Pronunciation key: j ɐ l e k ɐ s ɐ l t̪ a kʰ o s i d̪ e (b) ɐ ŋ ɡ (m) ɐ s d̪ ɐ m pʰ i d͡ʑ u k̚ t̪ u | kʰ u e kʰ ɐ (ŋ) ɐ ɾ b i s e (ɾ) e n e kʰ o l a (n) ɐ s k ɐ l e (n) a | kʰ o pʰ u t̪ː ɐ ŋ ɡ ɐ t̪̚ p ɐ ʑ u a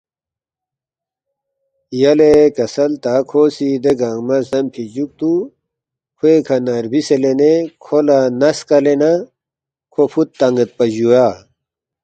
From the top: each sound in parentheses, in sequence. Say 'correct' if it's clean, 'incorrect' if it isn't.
incorrect: ɡ, correct, incorrect: n, incorrect: l, correct, correct

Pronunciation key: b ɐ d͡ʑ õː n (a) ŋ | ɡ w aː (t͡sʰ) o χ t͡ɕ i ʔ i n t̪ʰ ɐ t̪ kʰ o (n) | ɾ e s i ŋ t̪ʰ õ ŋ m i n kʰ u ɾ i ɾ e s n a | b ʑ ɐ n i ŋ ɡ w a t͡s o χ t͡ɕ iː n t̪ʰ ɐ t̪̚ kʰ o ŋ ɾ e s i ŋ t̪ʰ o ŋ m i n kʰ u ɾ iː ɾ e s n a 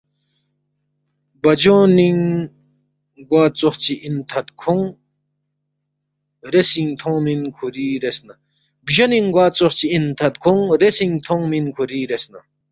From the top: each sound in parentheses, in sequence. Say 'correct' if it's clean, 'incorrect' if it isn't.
incorrect: i, incorrect: t͡s, incorrect: ŋ

